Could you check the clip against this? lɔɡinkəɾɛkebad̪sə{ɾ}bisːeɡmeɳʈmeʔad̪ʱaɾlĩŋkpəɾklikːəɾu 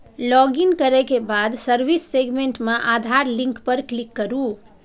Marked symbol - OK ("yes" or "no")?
yes